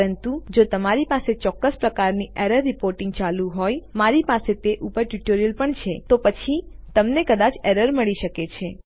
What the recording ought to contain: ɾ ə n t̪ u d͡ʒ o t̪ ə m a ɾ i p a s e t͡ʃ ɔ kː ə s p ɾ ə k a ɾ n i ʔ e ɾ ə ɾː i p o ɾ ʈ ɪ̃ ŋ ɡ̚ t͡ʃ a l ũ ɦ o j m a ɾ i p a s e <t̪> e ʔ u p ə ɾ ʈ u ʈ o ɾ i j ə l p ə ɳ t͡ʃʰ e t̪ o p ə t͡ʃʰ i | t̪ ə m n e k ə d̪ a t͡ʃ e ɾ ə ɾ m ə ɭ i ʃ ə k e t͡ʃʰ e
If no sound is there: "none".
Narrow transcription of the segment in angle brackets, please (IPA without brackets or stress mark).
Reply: t̪